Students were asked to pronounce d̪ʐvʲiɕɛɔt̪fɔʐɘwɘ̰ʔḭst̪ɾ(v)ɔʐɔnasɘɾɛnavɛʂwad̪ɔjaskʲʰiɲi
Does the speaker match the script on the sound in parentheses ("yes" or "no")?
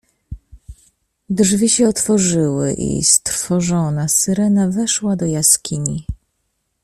no